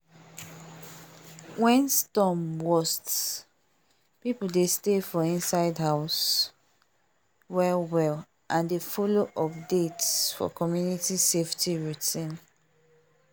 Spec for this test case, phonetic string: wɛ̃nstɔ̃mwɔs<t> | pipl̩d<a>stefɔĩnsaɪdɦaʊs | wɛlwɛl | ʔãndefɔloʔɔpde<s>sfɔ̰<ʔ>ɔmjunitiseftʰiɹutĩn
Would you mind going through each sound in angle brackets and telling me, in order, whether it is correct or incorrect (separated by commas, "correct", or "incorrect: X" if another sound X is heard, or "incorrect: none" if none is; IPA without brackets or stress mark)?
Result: correct, incorrect: e, incorrect: t, incorrect: k